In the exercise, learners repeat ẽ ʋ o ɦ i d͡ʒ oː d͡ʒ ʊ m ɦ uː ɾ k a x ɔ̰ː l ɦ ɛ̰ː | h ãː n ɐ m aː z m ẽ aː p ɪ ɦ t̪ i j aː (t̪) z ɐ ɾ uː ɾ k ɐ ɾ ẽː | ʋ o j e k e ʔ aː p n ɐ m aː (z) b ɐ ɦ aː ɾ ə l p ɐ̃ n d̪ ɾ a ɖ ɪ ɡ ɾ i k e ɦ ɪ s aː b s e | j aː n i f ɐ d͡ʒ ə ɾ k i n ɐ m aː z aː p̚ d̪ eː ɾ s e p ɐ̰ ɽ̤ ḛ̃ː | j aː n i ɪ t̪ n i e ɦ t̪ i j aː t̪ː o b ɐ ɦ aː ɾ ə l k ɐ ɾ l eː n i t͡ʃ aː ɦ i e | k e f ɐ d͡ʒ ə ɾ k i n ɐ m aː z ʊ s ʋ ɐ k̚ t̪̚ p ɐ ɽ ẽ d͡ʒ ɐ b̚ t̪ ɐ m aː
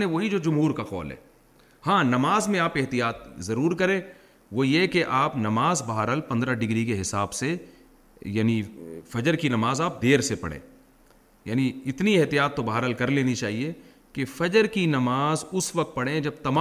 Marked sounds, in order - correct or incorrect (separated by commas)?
correct, correct